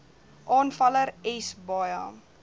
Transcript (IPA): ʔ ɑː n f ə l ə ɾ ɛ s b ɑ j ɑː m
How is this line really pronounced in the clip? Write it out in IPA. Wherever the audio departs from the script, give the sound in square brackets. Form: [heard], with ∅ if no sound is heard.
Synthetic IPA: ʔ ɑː n f [ɐ] l ə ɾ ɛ s b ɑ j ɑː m

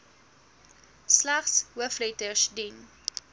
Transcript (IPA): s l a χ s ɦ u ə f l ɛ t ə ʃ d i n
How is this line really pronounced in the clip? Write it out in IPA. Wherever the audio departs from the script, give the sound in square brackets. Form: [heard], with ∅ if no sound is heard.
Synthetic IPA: s l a χ s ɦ u ə f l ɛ t ə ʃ d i n

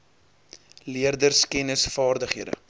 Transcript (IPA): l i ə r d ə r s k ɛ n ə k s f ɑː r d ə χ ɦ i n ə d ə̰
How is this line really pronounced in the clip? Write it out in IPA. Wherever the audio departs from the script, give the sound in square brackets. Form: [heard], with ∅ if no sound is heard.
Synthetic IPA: l i ə r d ə r s k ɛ n ə [∅] s f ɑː r d ə χ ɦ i [∅] ə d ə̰

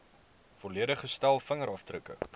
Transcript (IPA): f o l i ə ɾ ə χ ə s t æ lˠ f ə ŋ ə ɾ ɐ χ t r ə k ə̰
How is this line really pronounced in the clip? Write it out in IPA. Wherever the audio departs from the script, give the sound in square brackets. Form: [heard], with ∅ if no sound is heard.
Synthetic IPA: f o l i ə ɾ ə χ ə s t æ lˠ f ə ŋ ə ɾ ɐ [f] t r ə k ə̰

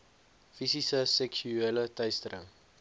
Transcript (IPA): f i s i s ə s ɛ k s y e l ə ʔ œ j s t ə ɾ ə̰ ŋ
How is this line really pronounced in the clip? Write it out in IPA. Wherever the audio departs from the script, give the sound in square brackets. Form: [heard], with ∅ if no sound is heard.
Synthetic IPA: f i s i s ə s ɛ k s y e l ə [t] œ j s t ə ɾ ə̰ ŋ

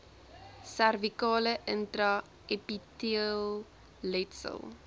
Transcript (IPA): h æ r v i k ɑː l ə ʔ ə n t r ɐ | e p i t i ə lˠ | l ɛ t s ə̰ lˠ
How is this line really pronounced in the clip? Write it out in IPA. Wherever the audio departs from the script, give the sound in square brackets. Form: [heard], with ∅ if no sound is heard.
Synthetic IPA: [s] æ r v i k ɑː l ə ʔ ə n t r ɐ | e p i t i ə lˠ | l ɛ t s ə̰ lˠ

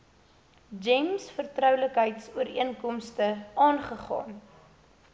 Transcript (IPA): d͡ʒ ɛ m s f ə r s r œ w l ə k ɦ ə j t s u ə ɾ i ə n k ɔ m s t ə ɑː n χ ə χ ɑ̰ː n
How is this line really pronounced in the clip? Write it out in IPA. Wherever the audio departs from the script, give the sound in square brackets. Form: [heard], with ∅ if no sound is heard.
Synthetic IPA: d͡ʒ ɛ m s f ə r [t] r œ w l ə k ɦ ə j t s u ə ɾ i ə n k ɔ m s t ə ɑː n χ ə χ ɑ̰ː n

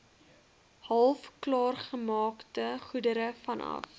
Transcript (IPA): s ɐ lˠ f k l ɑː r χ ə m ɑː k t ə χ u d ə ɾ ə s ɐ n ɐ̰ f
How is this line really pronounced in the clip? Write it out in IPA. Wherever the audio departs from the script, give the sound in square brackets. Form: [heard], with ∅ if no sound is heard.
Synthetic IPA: [h] ɐ lˠ f k l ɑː r χ ə m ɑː k t ə χ u d ə ɾ ə [f] ɐ n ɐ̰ f

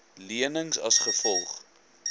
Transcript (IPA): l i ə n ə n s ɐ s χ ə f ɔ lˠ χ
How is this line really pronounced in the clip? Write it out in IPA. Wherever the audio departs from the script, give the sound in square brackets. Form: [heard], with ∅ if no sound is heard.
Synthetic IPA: l i ə n ə [ŋ] s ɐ s χ ə f ɔ lˠ χ

